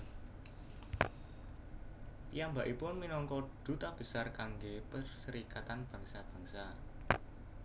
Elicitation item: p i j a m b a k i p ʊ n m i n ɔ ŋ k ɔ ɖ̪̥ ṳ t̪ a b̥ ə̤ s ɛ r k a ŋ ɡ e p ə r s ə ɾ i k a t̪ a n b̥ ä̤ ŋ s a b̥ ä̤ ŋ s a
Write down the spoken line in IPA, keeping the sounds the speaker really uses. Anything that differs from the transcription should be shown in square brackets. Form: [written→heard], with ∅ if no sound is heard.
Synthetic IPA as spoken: p i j a m b a [k→ʔ] i p ʊ n m i n ɔ ŋ k ɔ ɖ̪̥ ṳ t̪ a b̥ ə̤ s [ɛ→a] r k a ŋ ɡ e p ə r s ə ɾ i k a t̪ a n b̥ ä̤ ŋ s a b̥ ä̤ ŋ s a